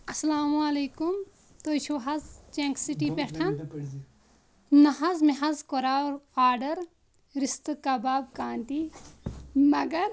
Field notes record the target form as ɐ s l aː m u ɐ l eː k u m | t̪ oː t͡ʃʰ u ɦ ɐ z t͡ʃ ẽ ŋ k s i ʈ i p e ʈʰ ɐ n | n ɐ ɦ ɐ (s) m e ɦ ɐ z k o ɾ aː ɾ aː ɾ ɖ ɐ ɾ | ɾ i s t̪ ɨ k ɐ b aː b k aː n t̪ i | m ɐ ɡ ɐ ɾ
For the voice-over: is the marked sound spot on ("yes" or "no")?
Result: no